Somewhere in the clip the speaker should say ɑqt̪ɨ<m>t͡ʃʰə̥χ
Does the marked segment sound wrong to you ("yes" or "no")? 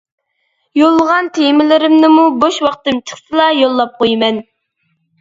no